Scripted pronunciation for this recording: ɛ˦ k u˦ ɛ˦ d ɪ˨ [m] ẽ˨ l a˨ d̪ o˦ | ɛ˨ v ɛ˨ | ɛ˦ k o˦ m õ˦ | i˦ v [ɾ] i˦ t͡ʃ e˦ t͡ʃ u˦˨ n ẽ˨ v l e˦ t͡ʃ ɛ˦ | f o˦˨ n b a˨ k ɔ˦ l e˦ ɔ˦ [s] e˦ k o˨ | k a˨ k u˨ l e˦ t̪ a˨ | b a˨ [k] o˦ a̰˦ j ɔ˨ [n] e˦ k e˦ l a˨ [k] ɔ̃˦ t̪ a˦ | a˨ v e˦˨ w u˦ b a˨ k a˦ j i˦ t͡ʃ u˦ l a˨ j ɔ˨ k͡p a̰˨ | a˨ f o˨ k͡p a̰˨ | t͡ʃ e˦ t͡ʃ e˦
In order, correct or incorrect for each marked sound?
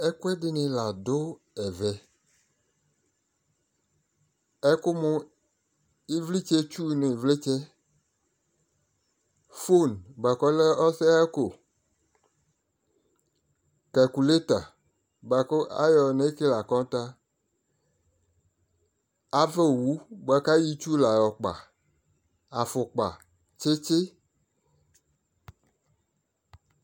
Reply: incorrect: n, incorrect: l, correct, correct, correct, correct

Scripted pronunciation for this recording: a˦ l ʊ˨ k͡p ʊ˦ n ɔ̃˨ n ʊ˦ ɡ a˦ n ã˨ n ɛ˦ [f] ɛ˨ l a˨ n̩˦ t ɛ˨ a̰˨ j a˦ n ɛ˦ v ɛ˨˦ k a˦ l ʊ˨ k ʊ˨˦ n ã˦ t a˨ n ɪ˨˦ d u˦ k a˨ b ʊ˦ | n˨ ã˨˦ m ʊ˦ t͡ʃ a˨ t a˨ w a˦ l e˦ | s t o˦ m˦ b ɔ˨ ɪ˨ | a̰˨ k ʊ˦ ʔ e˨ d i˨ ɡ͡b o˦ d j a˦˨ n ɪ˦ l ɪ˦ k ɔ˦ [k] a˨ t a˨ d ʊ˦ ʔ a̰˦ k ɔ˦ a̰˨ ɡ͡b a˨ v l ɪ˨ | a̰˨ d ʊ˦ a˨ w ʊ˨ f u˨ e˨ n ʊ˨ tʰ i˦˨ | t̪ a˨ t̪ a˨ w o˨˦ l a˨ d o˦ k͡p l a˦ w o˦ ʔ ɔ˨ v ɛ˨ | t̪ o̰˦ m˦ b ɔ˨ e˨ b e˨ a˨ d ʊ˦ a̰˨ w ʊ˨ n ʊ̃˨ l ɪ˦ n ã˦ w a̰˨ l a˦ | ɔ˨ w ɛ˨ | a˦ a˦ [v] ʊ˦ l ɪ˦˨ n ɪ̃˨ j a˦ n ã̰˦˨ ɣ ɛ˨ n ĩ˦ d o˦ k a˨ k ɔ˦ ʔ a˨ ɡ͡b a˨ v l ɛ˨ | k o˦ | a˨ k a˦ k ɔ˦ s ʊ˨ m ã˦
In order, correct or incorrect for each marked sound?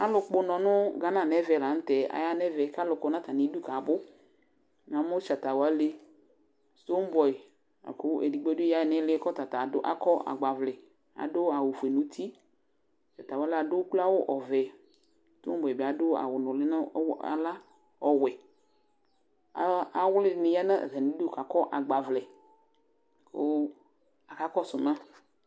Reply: incorrect: v, incorrect: t, incorrect: w

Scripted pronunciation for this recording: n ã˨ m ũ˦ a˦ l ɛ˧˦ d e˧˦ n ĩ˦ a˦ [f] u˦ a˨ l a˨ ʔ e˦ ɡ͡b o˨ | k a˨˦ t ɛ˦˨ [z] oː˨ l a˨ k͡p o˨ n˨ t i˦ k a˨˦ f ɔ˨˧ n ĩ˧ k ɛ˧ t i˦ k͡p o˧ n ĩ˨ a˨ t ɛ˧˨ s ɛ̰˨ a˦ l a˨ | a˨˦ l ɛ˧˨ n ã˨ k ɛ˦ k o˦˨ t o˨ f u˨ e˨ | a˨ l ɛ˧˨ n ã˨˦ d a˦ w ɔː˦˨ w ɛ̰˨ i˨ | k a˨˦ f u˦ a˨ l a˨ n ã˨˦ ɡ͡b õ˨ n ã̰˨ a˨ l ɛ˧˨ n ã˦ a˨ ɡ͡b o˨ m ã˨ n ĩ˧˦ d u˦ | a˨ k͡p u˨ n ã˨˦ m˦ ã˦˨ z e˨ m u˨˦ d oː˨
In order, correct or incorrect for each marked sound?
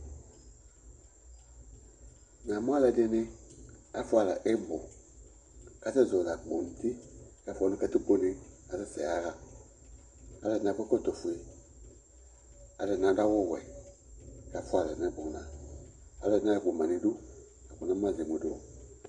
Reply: correct, correct

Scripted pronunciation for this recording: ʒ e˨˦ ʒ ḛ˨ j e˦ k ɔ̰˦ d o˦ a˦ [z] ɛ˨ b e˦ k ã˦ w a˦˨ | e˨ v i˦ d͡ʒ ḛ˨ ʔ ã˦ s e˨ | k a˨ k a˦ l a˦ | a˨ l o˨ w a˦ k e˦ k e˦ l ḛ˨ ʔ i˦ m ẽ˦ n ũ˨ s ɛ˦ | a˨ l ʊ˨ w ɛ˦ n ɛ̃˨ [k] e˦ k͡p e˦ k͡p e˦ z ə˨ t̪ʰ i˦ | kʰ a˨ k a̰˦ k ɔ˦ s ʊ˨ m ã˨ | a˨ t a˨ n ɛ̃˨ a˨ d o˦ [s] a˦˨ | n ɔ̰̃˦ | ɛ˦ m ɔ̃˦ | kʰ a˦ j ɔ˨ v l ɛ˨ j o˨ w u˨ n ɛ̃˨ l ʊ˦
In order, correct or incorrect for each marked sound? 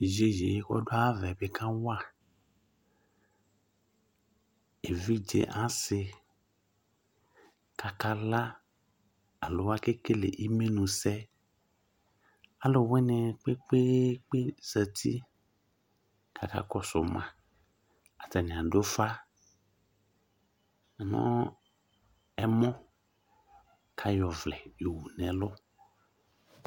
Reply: incorrect: v, incorrect: k͡p, incorrect: f

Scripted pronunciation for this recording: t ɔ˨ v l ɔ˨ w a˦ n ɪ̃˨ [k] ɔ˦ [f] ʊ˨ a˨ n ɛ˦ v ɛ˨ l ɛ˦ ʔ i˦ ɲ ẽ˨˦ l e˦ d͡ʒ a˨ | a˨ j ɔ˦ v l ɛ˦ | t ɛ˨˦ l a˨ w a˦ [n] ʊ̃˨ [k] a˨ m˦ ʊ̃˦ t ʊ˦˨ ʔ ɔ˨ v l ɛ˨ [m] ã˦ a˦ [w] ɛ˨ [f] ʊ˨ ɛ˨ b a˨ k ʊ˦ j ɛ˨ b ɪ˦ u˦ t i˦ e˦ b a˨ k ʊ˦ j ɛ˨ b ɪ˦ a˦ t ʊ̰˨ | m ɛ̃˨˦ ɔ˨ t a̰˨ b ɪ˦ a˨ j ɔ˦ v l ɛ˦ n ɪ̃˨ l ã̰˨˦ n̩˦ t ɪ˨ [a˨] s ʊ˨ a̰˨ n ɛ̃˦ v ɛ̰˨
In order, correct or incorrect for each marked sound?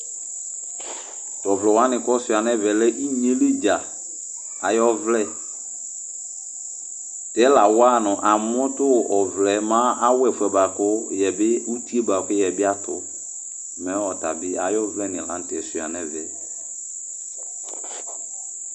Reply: correct, incorrect: s, correct, incorrect: ʔ, correct, correct, correct, incorrect: ɛ˨

